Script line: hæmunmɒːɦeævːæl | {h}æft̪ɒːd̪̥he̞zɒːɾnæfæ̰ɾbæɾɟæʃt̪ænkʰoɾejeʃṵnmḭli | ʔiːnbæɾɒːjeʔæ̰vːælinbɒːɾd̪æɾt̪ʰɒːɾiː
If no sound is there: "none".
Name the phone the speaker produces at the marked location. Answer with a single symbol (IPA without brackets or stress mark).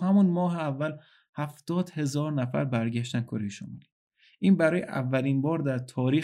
h